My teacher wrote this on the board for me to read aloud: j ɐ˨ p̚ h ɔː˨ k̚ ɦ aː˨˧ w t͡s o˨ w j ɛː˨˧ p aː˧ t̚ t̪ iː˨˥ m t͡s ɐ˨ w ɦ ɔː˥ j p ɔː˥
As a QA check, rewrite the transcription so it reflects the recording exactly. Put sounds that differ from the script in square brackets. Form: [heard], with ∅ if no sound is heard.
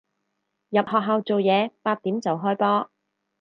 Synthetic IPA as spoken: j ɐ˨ p̚ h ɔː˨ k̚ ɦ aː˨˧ w t͡s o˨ w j ɛː˨˧ p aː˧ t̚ t̪ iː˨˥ m t͡s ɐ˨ w ɦ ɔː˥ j p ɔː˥